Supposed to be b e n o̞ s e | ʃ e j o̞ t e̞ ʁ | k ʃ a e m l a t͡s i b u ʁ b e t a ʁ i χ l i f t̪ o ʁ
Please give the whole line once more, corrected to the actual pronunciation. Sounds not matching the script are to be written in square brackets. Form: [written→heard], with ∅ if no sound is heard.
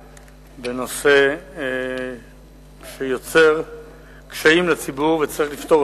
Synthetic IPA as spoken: b e n o̞ s e | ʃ e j o̞ [t→t͡s] e̞ ʁ | k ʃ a [e→i] m l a t͡s i b u ʁ [b→v] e [t→t͡s] a ʁ i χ l i f t̪ o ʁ